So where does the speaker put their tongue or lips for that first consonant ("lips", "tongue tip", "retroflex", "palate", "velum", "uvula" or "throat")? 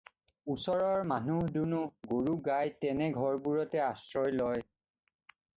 tongue tip